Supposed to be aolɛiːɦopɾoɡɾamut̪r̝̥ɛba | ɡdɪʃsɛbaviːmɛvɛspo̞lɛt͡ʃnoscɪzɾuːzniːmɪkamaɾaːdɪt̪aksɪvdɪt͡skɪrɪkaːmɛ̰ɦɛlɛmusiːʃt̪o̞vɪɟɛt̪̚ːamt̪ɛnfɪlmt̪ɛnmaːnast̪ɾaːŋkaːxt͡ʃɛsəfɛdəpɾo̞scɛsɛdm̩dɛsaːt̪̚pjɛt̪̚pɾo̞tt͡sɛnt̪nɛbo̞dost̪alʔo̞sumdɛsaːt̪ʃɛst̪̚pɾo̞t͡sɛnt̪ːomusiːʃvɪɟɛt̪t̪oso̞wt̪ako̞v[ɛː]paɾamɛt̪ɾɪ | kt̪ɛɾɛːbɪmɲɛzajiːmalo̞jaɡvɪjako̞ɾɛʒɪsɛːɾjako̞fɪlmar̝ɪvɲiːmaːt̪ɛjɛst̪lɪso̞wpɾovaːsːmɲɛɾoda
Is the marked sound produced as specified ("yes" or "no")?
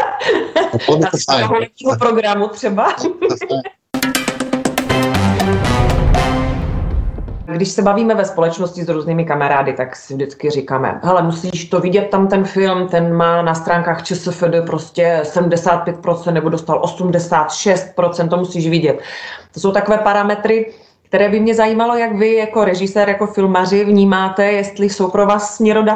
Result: yes